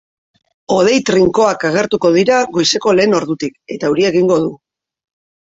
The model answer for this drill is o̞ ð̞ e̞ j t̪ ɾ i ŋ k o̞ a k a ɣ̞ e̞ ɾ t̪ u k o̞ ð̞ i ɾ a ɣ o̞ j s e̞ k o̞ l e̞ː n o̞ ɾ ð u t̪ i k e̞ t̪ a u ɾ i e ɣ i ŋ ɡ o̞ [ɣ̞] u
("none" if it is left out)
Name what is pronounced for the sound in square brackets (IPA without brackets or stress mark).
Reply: ð̞